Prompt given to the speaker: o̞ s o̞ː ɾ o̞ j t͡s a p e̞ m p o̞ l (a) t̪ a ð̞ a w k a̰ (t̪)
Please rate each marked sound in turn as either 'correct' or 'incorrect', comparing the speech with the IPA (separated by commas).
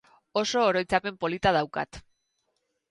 incorrect, correct